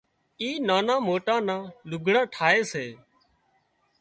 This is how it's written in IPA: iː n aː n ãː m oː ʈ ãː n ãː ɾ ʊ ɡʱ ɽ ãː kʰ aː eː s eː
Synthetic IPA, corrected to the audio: iː n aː n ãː m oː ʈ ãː n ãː l ʊ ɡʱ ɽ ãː ʈʰ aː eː s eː